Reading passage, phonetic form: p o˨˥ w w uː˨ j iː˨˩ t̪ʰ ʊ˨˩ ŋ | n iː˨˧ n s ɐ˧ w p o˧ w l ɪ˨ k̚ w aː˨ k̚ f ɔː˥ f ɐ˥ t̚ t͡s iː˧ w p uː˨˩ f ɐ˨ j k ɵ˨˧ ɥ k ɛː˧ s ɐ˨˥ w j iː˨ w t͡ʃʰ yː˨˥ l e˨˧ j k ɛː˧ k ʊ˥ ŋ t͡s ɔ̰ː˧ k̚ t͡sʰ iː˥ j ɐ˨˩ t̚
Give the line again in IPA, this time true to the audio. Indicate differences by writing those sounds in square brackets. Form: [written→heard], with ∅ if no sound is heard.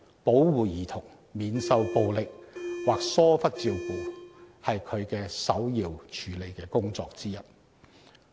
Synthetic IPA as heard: p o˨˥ w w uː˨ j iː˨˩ t̪ʰ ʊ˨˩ ŋ | [n→m] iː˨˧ n s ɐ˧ w p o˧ w l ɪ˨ k̚ w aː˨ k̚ [f→s] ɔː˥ f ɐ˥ t̚ t͡s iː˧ w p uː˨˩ [f→h] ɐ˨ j [k→kʰ] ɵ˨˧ ɥ k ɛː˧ s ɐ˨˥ w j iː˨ w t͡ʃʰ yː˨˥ l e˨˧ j k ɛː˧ k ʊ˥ ŋ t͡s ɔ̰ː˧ k̚ [t͡sʰ→t͡s] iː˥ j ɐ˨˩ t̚